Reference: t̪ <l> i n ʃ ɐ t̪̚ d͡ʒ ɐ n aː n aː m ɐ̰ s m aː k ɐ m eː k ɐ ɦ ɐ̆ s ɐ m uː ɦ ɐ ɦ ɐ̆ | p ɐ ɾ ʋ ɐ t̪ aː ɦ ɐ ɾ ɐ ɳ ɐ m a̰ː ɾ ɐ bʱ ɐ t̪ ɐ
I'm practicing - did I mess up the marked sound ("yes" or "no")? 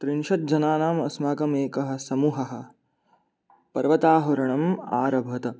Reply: yes